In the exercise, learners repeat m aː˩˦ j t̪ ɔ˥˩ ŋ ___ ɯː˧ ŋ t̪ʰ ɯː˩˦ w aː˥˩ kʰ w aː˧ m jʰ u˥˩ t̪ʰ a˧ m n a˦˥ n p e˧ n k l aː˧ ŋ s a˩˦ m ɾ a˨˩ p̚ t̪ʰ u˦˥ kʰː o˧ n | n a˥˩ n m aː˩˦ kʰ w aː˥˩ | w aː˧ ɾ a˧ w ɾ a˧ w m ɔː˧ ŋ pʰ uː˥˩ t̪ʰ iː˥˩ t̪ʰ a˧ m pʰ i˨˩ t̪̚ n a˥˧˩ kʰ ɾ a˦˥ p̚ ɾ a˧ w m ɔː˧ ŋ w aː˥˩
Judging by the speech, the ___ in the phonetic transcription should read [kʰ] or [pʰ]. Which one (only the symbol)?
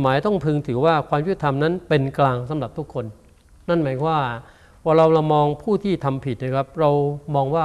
pʰ